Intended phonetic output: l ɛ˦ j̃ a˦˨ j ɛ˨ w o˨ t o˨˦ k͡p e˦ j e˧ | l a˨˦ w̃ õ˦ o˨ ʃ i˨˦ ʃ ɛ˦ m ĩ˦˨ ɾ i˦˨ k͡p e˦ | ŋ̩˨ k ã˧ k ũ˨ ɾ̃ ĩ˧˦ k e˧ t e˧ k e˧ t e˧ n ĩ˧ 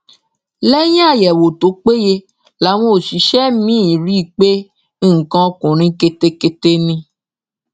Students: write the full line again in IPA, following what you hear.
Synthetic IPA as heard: l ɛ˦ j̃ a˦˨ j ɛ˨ w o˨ t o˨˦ k͡p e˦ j e˧ | l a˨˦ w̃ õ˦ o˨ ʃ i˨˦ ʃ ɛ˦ m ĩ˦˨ ɾ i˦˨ k͡p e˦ | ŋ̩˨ k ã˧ k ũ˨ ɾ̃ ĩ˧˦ k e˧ t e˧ k e˧ t e˧ n ĩ˧